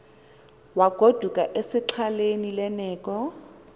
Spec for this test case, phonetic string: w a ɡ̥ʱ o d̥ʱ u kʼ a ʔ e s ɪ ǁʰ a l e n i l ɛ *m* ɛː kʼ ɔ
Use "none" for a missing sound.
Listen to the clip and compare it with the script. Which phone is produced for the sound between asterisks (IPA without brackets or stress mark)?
n